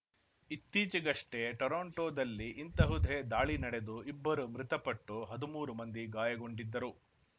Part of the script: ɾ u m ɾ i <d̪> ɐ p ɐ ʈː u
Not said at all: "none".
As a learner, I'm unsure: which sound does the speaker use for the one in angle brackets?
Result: t̪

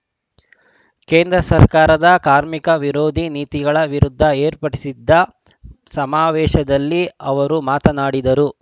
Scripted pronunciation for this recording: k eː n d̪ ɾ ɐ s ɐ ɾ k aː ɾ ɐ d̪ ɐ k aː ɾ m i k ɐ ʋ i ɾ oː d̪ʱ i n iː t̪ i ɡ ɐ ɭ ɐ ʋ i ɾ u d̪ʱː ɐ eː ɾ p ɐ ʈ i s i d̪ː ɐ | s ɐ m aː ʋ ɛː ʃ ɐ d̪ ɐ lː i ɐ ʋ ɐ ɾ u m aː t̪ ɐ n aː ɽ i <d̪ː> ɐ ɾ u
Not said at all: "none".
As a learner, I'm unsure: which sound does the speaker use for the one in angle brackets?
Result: d̪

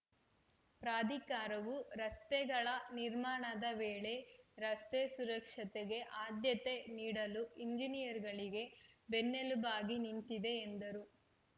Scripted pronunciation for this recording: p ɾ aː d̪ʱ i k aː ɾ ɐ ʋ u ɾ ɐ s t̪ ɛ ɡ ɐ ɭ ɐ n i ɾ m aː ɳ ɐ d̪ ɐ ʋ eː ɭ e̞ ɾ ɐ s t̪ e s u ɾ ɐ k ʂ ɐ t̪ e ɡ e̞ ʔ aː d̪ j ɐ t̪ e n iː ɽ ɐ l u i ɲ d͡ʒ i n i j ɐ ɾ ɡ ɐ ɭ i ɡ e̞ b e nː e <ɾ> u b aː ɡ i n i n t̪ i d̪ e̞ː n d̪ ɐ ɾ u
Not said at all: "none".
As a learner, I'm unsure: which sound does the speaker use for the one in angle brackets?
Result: l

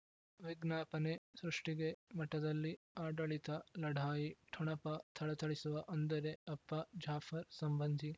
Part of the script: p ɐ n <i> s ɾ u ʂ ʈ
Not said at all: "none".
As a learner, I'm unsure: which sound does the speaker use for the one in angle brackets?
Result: e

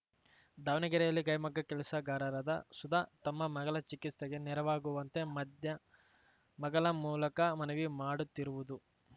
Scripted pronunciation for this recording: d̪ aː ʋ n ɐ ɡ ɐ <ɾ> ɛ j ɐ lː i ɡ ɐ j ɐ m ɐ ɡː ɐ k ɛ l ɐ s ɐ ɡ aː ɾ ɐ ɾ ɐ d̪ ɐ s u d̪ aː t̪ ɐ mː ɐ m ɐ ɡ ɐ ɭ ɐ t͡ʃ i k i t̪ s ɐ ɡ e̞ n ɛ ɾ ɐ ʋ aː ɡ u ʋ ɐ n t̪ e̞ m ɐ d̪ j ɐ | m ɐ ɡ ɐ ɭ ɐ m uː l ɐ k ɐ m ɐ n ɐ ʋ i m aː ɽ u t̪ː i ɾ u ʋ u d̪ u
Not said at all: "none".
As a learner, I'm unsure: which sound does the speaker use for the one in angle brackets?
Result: ɾ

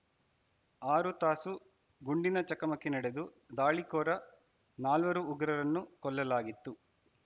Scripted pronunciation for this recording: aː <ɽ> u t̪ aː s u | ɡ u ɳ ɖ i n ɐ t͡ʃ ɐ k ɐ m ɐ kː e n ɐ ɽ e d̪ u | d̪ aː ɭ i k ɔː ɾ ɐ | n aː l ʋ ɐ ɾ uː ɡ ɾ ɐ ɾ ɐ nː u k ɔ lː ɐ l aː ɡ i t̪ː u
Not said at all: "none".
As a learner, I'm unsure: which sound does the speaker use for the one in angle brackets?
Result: ɾ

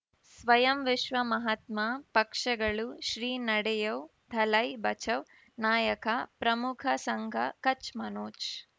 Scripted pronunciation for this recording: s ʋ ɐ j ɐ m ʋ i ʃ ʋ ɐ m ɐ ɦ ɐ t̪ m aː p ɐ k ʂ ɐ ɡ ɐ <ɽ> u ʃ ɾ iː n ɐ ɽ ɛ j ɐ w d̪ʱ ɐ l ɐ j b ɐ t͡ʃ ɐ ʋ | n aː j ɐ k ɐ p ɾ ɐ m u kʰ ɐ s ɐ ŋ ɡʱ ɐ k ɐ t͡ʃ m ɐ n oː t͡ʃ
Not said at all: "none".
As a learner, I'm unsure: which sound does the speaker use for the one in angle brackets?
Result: ɭ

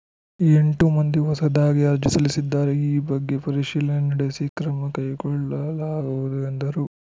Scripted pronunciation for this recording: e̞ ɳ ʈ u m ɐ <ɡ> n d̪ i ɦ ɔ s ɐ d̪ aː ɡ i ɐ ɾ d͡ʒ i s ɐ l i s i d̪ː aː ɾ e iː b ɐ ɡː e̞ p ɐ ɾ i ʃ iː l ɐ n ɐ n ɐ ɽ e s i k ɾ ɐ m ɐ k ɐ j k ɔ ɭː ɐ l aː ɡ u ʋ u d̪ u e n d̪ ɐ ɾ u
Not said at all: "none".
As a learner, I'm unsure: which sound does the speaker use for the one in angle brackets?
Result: none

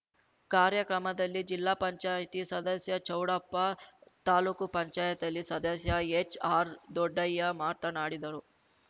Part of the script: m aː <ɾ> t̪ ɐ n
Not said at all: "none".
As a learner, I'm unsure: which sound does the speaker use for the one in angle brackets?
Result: ɾ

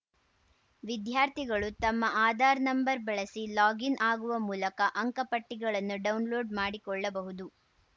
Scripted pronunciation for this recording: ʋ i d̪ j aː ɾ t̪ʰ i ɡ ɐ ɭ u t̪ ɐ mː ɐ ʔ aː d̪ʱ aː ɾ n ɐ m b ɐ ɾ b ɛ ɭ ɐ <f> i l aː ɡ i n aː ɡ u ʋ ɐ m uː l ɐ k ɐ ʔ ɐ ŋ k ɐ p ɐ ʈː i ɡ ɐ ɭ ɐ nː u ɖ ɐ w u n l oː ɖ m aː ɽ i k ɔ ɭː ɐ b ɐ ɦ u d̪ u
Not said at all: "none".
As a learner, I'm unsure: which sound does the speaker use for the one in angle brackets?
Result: s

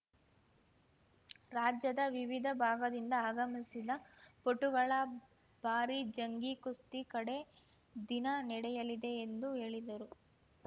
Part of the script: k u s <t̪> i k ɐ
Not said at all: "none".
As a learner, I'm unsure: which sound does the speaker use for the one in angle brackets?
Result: t̪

